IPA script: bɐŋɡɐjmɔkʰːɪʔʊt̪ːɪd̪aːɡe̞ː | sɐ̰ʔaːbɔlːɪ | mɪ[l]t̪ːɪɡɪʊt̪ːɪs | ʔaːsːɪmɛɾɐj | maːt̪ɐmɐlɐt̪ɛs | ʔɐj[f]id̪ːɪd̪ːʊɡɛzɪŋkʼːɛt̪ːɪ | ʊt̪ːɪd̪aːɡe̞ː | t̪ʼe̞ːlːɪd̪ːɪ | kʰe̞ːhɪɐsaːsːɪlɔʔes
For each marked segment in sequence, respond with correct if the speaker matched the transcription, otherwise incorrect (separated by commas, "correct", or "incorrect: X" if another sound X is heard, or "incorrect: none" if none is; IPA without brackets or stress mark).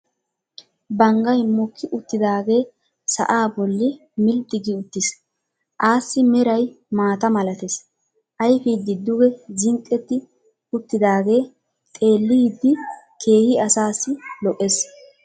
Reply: correct, correct